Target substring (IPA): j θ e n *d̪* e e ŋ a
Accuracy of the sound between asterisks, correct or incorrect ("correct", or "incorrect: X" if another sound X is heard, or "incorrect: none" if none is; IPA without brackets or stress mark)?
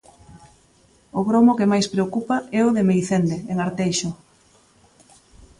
correct